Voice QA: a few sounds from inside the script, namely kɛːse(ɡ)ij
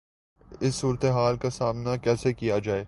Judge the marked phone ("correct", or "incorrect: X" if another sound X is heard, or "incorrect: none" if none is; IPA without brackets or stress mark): incorrect: k